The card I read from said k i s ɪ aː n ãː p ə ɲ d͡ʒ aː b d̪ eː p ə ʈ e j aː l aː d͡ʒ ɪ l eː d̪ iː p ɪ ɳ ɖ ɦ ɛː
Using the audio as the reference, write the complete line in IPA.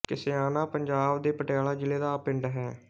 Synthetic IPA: k ɪ s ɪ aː n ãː p ə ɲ d͡ʒ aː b d̪ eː p ə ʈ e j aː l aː d͡ʒ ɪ l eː d̪ aː p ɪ ɳ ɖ ɦ ɛː